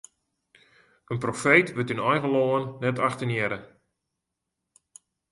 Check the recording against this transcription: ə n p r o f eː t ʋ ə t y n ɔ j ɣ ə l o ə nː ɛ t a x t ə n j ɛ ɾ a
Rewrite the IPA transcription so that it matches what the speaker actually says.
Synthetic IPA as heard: ə n p r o f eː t ʋ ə t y n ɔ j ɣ ə l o ə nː ɛ t a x t ə n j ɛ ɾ ə

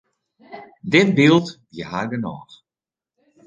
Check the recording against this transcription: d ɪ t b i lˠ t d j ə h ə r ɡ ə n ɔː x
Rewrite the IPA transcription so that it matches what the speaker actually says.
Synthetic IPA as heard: d ɪ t b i lˠ t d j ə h a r ɡ ə n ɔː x

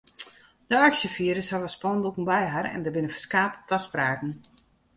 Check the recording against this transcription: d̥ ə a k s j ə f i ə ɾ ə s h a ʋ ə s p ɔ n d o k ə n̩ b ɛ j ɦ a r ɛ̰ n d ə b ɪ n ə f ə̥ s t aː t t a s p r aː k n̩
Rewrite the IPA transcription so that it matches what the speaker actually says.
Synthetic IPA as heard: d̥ ə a k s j ə f i ə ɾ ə s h a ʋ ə s p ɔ n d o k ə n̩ b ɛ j ɦ a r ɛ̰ n d ə b ɪ n ə f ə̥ s k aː t t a s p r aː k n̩

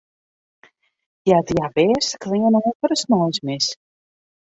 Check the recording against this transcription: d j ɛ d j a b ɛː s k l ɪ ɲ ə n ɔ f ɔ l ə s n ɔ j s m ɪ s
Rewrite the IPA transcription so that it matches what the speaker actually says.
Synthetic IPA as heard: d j a d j a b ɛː s k l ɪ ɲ ə n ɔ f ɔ ɾ ə s n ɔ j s m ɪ s

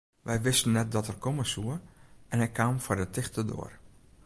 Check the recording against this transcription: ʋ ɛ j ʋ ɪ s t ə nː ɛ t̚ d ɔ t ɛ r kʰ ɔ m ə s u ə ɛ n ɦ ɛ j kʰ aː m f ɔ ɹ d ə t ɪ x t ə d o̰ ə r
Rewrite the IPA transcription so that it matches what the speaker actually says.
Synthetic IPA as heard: ʋ ɛ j ʋ ɪ s t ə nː ɛ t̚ d ɔ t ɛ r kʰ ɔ m ə s u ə ɛ n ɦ ɛ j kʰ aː m f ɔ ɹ d ə t ɪ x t ə d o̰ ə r

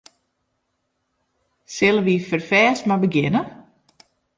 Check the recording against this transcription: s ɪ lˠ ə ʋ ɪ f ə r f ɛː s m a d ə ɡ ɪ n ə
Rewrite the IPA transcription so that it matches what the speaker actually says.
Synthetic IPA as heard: s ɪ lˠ ə ʋ i f ə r f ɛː s m a b ə ɡ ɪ n ə

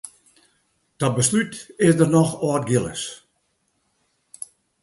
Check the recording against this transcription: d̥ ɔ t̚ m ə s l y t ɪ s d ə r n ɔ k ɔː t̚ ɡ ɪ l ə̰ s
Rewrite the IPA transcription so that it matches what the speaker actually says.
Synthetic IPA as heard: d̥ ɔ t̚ b ə s l y t ɪ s d ə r n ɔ x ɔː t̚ ɡ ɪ l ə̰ s

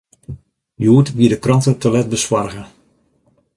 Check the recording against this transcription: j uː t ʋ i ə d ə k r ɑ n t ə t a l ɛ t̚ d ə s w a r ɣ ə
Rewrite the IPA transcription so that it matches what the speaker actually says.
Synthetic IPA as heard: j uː t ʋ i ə d ə k r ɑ n t ə t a l ɛ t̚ b ə s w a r ɣ ə

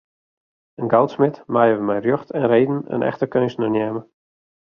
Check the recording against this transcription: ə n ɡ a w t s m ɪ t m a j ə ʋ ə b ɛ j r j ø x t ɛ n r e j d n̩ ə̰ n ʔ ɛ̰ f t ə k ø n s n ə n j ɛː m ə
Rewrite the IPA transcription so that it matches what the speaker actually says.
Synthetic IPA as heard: ə n ɡ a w t s m ɪ t m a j ə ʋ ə m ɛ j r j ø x t ɛ n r e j d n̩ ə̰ n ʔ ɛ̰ x t ə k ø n s n ə n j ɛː m ə

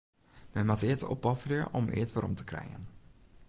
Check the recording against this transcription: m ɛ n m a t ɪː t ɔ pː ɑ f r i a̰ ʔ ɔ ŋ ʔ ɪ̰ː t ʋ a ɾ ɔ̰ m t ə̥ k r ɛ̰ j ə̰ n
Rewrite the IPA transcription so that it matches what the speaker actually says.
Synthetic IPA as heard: m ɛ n m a t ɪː t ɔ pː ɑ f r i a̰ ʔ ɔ m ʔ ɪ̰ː t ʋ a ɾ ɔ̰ m t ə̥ k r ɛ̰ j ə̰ n

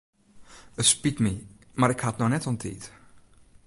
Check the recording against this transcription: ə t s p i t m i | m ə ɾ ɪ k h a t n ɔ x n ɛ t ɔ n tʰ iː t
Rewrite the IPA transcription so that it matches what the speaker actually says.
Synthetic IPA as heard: ə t s p i t m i | m a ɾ ɪ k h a t n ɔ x n ɛ t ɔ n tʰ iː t

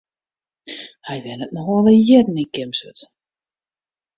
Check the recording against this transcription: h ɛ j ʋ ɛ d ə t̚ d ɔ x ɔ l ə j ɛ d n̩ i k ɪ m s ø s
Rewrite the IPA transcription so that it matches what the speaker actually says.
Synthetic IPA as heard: h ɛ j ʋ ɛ n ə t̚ n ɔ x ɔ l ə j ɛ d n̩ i k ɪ m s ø t

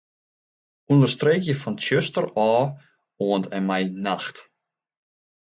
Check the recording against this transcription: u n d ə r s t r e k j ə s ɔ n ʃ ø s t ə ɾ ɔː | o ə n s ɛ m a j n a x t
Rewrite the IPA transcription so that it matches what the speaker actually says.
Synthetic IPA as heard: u n d ə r s t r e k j ə f ɔ n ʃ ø s t ə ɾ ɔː | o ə n t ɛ m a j n a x t

